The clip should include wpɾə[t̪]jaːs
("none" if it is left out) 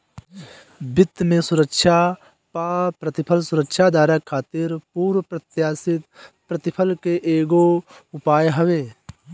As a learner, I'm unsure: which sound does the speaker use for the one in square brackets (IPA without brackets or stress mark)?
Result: t̪